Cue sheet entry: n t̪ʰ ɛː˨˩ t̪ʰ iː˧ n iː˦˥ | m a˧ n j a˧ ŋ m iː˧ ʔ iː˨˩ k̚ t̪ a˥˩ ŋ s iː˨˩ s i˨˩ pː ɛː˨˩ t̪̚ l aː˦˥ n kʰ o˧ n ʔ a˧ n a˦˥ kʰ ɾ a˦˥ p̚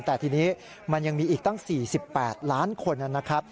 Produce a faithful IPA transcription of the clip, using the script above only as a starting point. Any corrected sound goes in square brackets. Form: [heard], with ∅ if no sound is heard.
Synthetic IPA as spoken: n [t̪] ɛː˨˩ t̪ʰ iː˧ n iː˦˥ | m a˧ n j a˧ ŋ m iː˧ ʔ iː˨˩ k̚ t̪ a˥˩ ŋ s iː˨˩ s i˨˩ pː ɛː˨˩ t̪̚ l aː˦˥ n kʰ o˧ n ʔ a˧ n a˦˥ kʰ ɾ a˦˥ p̚